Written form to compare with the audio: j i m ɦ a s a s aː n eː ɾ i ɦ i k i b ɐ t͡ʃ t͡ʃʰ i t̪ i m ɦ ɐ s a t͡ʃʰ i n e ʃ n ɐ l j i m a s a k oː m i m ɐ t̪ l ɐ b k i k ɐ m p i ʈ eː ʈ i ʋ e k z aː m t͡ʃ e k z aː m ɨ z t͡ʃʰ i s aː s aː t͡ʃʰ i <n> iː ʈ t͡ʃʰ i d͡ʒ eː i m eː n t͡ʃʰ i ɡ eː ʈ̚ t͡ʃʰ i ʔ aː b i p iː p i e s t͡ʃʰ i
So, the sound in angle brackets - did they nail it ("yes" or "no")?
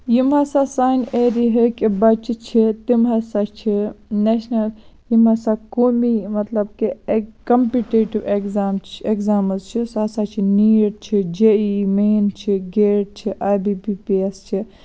yes